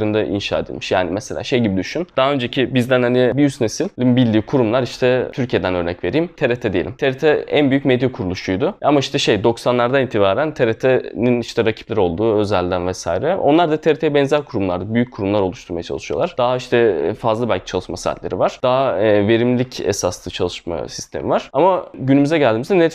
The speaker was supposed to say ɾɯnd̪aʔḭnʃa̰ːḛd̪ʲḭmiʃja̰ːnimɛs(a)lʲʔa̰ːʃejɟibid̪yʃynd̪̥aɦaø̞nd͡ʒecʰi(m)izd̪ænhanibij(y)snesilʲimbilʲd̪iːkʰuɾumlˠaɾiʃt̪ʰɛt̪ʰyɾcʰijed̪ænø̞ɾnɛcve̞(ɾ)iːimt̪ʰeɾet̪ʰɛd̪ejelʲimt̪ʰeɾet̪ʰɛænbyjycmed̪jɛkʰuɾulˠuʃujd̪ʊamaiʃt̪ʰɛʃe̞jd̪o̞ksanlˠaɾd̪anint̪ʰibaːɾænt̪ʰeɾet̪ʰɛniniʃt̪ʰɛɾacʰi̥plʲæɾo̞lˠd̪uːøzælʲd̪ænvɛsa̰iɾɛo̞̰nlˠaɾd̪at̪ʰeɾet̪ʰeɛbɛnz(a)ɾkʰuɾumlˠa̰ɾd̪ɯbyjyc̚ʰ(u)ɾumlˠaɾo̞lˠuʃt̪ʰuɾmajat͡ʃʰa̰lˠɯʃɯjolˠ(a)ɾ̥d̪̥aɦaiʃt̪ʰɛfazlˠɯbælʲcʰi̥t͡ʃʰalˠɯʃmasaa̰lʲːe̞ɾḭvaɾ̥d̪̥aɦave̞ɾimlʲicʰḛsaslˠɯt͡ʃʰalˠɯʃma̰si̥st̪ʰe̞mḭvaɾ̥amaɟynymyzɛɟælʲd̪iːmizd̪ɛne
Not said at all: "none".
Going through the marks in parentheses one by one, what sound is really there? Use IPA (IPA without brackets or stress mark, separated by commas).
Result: e, b, y, ɾ, æ, u, a